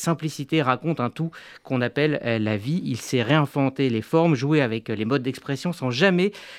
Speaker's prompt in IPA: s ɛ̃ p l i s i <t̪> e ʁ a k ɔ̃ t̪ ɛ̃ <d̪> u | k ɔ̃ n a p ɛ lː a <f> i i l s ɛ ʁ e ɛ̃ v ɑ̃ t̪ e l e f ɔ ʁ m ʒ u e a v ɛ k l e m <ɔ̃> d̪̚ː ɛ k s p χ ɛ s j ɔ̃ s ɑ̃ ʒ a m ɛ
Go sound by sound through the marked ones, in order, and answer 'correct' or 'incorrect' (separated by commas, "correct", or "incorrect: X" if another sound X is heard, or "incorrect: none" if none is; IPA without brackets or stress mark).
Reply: correct, incorrect: t̪, incorrect: v, incorrect: ɔ